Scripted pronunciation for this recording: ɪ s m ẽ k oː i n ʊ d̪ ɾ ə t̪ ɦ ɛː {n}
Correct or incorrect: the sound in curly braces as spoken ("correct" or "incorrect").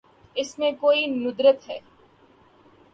incorrect